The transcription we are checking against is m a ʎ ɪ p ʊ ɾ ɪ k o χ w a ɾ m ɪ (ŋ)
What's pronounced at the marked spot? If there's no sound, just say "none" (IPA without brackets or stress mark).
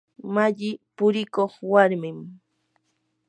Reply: m